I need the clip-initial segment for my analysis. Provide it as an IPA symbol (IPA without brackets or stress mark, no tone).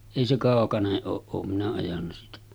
eˑ